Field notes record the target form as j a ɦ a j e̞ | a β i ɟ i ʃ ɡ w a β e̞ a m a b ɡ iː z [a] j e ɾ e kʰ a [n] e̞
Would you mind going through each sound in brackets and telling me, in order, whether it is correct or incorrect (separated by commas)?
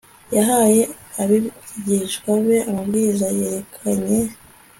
correct, incorrect